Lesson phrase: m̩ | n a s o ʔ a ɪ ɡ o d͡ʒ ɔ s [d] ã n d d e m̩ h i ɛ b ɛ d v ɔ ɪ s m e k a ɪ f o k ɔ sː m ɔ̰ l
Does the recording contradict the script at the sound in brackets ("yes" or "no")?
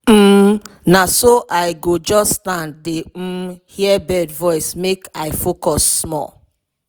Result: yes